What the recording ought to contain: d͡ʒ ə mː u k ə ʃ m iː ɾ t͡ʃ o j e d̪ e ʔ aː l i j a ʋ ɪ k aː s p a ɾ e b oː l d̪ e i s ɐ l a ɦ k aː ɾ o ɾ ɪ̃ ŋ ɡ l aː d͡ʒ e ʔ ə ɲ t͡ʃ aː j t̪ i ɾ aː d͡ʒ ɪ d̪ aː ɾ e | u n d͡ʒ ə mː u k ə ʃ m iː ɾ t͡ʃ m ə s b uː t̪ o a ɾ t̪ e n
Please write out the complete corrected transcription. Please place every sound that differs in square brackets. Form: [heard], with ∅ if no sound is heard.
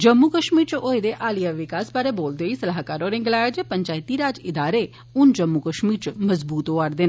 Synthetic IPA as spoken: d͡ʒ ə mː u k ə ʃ m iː ɾ t͡ʃ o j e d̪ e ʔ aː l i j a ʋ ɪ k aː s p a ɾ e b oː l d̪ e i s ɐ l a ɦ k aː ɾ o ɾ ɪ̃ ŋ ɡ l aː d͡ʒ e [p] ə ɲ t͡ʃ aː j t̪ i ɾ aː d͡ʒ ɪ d̪ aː ɾ e | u n d͡ʒ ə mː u k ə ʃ m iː ɾ t͡ʃ m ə [z] b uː t̪ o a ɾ [d̪] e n